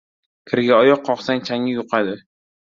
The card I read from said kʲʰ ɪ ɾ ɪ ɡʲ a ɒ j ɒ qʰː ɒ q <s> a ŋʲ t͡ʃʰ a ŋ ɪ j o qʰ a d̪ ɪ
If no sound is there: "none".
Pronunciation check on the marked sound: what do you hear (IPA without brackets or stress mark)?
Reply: s